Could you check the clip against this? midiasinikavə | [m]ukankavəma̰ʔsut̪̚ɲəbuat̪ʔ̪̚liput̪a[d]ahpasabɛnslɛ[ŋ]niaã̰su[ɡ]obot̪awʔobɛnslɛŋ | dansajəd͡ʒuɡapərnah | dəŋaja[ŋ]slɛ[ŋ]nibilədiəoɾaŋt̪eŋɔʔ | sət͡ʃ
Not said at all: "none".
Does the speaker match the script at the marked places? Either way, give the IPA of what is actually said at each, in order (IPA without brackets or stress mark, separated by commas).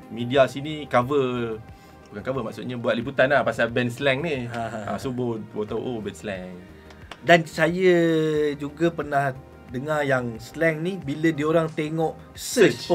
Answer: b, n, ŋ, b, ŋ, ŋ